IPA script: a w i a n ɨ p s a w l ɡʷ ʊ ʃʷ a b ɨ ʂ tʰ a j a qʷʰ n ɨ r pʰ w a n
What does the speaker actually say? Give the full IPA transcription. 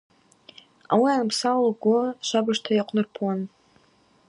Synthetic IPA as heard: a w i a n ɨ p s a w l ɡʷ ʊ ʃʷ a b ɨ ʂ tʰ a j a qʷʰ n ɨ r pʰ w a n